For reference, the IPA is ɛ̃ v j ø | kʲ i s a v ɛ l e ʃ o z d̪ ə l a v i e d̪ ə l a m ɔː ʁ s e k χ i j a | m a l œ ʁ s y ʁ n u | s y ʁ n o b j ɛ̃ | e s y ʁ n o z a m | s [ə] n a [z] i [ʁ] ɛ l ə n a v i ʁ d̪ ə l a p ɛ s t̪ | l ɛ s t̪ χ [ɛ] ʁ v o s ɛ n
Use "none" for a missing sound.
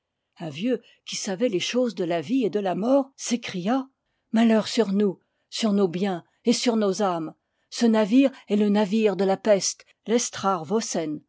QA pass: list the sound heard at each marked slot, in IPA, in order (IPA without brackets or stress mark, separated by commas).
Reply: ə, v, ʁ, a